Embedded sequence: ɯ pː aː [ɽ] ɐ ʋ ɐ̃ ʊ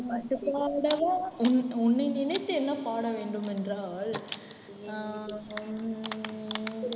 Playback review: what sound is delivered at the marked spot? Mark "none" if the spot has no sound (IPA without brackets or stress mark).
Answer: ɽ